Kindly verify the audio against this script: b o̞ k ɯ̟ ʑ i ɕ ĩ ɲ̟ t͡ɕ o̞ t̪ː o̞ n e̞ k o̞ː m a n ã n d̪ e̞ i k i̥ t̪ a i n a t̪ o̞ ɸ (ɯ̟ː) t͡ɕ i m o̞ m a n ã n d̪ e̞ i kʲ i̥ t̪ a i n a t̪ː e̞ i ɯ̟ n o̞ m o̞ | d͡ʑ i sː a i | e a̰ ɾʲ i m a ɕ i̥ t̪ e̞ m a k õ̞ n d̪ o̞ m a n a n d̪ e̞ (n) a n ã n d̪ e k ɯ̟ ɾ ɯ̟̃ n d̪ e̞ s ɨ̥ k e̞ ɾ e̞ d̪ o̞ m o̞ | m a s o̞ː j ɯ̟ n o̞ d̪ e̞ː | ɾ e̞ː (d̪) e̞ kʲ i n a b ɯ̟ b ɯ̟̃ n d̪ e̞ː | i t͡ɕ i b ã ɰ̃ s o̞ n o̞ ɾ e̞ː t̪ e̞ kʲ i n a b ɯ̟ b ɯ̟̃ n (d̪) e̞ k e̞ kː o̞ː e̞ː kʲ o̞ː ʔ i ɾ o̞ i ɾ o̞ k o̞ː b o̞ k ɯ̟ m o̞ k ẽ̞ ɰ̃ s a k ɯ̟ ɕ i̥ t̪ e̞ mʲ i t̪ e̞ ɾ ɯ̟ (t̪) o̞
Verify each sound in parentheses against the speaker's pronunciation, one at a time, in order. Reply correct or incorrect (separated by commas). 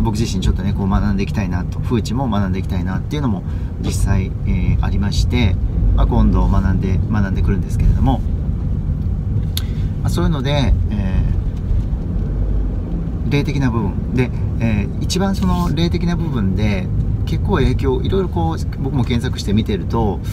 correct, incorrect, incorrect, correct, correct